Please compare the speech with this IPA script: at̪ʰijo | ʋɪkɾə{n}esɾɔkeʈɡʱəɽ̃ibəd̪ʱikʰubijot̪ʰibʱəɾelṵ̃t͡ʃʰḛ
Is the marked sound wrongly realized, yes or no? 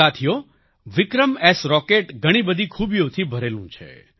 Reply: yes